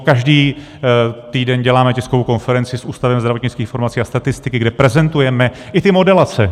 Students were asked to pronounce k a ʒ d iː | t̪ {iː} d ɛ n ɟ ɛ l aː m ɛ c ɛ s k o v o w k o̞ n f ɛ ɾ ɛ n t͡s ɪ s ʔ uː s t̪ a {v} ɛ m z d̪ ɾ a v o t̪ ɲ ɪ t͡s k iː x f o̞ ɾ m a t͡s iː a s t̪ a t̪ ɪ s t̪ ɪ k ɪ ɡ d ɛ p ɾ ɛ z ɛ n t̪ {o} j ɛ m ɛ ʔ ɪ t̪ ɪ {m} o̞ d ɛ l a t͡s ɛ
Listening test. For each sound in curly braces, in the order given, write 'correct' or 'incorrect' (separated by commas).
correct, correct, incorrect, correct